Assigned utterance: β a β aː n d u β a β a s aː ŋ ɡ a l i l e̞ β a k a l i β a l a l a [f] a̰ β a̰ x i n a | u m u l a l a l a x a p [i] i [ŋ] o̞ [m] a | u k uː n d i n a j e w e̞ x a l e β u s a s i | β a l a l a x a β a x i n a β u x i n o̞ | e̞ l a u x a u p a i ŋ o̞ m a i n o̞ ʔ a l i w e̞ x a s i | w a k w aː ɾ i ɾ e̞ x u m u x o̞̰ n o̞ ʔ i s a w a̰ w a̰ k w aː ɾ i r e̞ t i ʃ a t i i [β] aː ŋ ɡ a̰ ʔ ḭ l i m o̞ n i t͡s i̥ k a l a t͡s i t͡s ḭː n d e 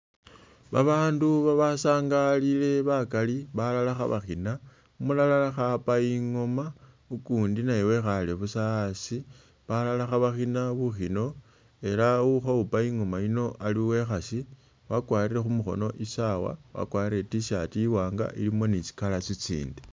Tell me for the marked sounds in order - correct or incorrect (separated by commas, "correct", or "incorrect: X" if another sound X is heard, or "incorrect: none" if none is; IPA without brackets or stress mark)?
incorrect: x, incorrect: a, correct, correct, incorrect: w